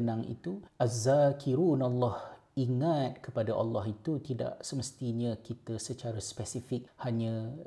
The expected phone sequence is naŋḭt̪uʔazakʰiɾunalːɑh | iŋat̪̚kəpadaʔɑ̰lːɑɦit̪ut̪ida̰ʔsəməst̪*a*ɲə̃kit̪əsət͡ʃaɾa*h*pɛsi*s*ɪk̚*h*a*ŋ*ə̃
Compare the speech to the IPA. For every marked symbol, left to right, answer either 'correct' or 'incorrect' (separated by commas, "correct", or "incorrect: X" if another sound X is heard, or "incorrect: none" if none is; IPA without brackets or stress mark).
incorrect: i, incorrect: s, incorrect: f, correct, incorrect: ɲ